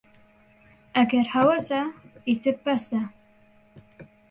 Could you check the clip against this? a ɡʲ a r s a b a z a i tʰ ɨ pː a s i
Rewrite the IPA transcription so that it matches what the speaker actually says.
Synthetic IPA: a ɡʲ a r ħ a w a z a i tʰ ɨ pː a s a